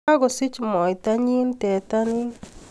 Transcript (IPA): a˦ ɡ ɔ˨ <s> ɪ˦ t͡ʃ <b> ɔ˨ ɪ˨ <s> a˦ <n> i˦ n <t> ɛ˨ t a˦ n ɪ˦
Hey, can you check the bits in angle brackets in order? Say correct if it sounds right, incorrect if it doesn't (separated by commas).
correct, incorrect, incorrect, incorrect, correct